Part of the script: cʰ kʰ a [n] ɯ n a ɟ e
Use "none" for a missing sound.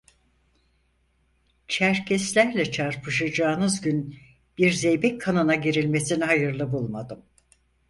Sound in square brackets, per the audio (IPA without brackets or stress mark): n